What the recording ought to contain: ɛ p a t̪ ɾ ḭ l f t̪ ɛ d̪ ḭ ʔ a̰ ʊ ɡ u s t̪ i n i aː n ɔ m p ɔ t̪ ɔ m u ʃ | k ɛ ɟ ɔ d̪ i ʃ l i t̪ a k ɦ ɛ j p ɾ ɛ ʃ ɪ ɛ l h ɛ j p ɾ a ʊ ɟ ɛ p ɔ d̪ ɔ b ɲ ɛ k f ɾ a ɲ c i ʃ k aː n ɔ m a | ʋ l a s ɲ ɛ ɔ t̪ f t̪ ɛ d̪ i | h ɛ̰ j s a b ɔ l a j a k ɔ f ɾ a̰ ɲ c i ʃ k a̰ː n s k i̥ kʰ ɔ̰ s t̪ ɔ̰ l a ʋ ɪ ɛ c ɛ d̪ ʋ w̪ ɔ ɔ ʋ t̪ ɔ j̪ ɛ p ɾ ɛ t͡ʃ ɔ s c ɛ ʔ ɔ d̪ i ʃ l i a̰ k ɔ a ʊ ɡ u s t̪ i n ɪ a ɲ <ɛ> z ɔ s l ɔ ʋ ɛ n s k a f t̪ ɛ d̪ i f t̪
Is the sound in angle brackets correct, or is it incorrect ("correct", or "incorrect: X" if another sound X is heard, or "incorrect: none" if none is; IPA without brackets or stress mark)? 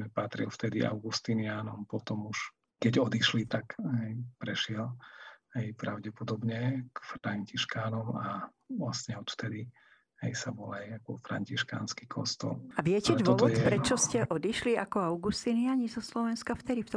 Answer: incorrect: i